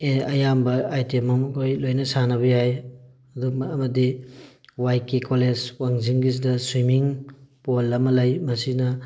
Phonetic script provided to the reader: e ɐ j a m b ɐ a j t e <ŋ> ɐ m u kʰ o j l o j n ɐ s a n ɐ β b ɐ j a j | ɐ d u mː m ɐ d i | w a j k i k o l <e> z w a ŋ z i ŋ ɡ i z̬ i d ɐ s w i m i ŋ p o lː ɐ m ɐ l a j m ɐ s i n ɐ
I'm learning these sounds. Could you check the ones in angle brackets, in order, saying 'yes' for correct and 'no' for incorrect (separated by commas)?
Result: no, yes